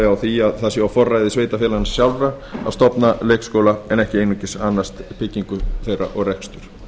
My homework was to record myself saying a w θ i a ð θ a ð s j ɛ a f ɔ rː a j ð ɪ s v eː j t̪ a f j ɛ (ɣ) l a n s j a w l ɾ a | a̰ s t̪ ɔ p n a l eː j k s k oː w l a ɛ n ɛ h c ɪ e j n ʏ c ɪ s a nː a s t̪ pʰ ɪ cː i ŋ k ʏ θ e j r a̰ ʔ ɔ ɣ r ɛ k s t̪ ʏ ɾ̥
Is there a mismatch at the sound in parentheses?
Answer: yes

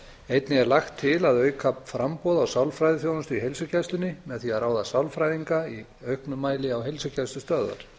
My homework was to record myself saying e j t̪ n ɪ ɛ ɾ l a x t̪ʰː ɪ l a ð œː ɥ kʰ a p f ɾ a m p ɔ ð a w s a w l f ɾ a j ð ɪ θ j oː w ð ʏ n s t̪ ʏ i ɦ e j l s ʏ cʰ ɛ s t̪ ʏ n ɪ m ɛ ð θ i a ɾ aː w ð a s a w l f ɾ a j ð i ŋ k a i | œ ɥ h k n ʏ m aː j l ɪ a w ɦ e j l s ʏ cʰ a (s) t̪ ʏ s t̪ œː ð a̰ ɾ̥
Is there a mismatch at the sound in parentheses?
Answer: no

